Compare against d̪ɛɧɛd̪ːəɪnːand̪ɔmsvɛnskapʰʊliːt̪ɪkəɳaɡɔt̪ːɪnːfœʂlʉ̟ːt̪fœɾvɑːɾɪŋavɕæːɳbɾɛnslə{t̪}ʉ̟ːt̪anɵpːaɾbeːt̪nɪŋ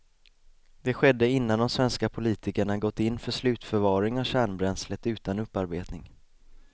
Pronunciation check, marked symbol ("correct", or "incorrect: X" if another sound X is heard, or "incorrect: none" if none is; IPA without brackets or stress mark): correct